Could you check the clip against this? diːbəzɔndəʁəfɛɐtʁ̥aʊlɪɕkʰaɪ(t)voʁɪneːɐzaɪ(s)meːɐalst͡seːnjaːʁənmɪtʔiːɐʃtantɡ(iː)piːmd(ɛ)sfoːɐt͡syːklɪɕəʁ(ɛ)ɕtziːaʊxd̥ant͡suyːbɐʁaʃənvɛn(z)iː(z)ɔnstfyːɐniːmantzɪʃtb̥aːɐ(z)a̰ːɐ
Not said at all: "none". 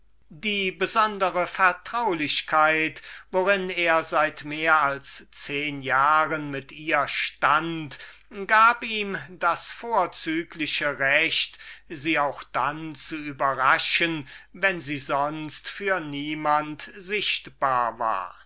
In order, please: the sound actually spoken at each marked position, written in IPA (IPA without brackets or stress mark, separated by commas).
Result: t, t, aː, a, ɛ, z, z, v